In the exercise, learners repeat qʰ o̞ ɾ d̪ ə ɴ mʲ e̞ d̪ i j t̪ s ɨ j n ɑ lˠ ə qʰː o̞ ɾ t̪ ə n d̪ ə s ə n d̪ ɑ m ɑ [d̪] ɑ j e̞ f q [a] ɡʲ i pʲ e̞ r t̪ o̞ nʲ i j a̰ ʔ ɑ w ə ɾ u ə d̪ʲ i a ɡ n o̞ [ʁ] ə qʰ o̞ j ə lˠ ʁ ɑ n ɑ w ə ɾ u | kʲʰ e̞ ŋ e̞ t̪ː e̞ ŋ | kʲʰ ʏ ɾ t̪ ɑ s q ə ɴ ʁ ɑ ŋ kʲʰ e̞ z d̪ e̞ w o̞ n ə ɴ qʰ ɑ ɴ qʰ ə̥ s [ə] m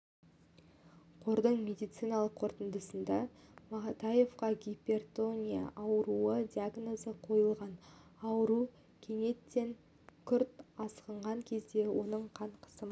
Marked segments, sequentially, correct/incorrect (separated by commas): incorrect, incorrect, incorrect, correct